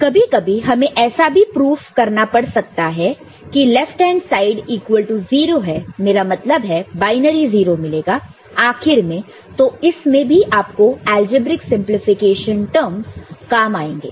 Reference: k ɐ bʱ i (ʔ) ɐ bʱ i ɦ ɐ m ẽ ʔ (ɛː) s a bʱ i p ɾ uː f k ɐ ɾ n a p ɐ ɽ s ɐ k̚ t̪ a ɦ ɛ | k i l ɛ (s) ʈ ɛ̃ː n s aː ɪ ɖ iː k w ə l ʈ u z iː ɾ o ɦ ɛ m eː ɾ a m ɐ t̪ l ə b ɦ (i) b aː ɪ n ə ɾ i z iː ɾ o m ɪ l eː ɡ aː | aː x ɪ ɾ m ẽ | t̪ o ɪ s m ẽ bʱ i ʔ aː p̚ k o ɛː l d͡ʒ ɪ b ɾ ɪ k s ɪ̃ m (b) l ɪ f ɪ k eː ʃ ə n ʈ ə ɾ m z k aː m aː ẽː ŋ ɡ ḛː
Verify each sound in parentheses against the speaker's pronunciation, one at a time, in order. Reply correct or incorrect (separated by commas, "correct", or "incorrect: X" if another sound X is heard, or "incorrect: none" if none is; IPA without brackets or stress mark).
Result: incorrect: k, correct, incorrect: f, incorrect: ɛ, incorrect: p